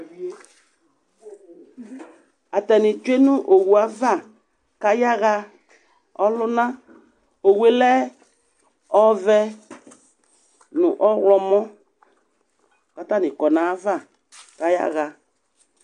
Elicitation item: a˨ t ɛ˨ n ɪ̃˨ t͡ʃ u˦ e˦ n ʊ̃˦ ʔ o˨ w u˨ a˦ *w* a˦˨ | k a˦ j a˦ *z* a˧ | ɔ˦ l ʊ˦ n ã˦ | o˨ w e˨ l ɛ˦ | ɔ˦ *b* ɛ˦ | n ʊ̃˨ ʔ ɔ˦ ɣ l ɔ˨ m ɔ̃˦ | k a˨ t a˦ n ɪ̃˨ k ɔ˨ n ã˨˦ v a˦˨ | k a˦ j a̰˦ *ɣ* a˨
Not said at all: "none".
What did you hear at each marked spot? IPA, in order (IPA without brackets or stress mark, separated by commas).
v, ɣ, v, ɣ